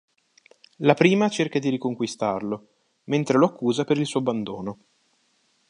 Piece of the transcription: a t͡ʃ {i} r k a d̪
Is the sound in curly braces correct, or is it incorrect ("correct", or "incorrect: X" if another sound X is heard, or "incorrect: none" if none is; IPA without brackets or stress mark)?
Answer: incorrect: e